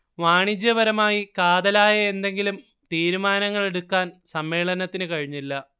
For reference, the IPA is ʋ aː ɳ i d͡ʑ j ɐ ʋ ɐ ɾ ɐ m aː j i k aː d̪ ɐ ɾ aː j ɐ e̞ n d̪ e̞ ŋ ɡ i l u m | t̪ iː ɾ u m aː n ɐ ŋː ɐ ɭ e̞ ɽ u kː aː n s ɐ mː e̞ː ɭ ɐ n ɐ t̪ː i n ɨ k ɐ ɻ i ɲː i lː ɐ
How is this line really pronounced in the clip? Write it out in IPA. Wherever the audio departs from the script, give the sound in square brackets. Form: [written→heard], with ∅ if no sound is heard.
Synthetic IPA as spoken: ʋ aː ɳ i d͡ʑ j ɐ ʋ ɐ ɾ ɐ m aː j i k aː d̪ ɐ [ɾ→l] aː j ɐ e̞ n d̪ e̞ ŋ ɡ i l u m | t̪ iː ɾ u m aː n ɐ ŋː ɐ ɭ e̞ ɽ u kː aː n s ɐ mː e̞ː ɭ ɐ n ɐ t̪ː i n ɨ k ɐ ɻ i ɲː i lː ɐ